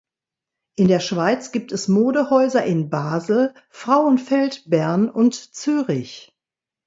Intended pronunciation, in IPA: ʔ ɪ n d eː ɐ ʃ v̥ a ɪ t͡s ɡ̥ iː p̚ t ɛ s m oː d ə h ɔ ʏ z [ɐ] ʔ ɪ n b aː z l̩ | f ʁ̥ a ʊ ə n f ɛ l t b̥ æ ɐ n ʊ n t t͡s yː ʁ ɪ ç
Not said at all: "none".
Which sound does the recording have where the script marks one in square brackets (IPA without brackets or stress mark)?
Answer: ɐ